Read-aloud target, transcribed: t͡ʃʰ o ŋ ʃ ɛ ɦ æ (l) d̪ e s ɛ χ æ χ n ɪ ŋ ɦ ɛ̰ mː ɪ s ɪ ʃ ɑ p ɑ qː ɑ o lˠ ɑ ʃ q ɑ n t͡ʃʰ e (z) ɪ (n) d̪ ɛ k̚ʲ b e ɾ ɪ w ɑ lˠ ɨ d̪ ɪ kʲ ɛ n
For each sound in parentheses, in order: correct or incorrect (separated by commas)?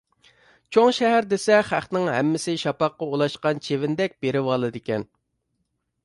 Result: incorrect, incorrect, correct